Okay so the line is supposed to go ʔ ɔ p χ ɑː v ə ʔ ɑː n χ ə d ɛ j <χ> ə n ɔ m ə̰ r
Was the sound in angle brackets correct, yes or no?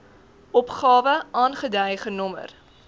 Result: yes